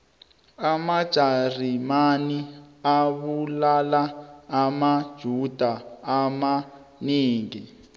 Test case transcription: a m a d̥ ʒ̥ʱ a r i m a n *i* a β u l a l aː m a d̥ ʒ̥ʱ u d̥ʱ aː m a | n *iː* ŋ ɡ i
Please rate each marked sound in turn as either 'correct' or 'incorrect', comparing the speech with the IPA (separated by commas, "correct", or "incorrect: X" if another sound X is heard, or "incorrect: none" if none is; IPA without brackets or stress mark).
correct, correct